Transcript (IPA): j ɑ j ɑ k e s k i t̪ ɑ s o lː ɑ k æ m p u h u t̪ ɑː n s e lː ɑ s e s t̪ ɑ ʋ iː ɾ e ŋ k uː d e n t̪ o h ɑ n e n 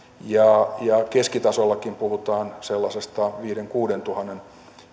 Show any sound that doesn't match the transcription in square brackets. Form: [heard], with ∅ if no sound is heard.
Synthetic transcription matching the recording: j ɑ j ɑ k e s k i t̪ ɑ s o lː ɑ k [i] m p u h u t̪ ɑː n s e lː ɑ s e s t̪ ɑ ʋ iː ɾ e ŋ k uː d e n t̪ [u] h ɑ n e n